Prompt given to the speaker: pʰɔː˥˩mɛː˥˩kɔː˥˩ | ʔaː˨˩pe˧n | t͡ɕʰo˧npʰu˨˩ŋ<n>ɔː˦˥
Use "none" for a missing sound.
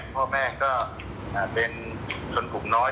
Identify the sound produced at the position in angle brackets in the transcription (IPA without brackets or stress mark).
n